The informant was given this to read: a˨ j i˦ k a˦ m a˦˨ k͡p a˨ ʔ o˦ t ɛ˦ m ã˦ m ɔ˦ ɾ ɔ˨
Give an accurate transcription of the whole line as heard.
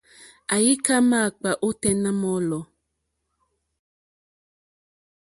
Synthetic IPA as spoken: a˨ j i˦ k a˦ m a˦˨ k͡p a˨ ʔ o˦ t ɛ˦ n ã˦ m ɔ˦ l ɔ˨

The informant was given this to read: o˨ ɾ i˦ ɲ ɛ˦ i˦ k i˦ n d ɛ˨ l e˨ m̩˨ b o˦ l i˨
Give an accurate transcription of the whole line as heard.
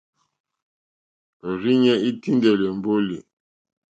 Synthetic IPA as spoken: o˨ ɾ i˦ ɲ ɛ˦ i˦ t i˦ n d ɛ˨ l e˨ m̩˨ b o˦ l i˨

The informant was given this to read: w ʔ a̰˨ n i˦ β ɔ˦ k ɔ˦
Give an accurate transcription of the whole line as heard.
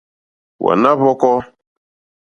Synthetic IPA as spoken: w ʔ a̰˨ n a˦ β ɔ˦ k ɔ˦

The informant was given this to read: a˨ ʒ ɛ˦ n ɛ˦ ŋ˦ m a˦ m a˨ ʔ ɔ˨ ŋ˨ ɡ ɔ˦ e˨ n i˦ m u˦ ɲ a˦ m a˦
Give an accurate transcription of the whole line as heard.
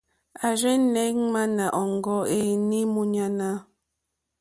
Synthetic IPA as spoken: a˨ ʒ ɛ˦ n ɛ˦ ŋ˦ m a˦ n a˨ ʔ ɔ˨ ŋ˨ ɡ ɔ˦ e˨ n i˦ m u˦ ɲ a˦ n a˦

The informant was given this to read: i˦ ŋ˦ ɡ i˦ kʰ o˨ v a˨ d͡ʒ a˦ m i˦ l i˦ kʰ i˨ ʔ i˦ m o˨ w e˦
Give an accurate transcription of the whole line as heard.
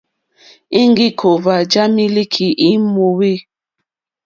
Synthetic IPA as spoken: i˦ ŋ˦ ɡ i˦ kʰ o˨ v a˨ d͡ʒ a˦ m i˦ l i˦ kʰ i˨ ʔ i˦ m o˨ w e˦

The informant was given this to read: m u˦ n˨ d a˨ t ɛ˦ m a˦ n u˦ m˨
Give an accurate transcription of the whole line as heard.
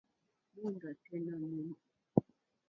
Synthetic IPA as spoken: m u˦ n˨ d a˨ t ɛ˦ n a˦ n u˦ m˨

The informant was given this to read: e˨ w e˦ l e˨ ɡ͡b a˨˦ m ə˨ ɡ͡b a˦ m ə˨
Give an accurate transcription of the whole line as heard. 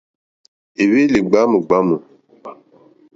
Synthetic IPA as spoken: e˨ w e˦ l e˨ ɡ͡b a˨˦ m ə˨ ɡ͡b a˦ m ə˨

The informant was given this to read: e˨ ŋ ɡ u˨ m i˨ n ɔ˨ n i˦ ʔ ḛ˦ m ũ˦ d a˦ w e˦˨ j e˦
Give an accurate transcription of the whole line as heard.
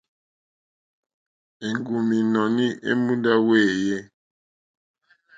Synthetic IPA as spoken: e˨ ŋ ɡ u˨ m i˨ n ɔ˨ n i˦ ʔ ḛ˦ m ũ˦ d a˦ w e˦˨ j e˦

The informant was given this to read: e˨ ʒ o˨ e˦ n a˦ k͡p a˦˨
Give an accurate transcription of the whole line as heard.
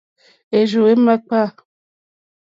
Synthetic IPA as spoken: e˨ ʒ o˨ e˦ m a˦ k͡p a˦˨

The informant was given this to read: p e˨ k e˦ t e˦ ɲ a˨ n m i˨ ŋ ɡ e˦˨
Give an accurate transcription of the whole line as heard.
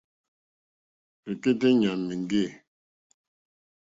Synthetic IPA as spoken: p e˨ k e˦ t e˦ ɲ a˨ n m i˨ ŋ ɡ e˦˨

